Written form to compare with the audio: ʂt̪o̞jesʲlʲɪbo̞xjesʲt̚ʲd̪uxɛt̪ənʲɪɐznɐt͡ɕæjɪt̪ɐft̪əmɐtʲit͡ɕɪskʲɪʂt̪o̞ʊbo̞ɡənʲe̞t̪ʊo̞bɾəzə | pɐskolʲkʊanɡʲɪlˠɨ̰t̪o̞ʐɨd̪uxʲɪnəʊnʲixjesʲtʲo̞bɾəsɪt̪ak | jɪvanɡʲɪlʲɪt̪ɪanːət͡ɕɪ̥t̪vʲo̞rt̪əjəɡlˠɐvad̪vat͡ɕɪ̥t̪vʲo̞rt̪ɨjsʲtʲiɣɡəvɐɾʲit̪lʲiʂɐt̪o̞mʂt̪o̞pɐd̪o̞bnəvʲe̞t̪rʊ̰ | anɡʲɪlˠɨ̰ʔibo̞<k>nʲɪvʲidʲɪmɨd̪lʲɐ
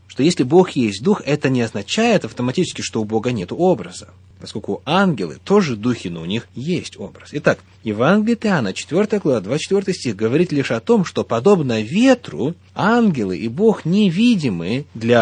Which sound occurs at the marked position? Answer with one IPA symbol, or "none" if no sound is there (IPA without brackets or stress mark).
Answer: x